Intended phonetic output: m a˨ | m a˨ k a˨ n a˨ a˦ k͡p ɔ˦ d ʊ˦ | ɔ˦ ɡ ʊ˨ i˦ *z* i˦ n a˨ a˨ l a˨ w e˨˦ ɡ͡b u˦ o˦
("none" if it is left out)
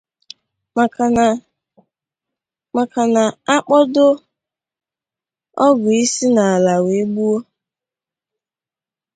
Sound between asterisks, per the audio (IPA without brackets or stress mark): s